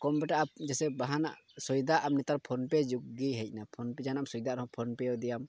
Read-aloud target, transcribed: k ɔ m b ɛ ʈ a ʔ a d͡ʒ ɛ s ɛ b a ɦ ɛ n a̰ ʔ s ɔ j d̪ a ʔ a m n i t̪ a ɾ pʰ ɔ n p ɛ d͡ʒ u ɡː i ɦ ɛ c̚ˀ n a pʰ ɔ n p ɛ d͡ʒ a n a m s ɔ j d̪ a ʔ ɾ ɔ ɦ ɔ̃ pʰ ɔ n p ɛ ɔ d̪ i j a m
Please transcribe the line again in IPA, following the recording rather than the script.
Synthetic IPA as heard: k ɔ m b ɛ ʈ a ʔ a d͡ʒ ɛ s ɛ b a ɦ a n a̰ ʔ s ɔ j d̪ a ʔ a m n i t̪ a ɾ pʰ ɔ n p ɛ d͡ʒ u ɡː i ɦ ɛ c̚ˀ n a pʰ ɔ n p ɛ d͡ʒ a n a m s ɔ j d̪ a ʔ ɾ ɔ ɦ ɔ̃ pʰ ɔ n p ɛ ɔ d̪ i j a m